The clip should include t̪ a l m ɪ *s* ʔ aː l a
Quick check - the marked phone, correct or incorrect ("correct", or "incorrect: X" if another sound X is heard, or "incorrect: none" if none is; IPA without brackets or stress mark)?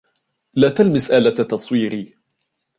correct